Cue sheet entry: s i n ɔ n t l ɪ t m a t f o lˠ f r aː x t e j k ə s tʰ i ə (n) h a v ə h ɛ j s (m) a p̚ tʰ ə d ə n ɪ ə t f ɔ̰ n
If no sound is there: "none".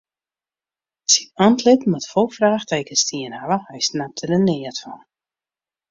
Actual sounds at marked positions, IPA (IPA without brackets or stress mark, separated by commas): n, n